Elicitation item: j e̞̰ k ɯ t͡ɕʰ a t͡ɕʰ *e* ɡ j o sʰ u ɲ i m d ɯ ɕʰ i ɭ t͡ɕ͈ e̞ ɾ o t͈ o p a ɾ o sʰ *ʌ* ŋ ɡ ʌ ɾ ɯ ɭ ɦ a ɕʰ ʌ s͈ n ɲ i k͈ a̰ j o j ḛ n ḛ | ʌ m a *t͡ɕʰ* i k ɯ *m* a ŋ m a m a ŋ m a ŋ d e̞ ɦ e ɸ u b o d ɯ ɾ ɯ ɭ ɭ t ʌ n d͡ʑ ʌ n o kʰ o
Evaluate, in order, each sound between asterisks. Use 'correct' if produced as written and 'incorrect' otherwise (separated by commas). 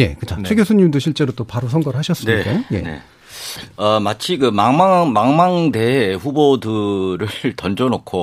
correct, correct, correct, correct